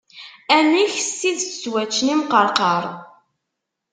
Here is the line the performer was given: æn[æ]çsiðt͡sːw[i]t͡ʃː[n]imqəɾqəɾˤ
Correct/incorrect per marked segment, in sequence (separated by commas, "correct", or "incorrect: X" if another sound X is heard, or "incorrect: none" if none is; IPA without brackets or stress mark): incorrect: i, incorrect: æ, correct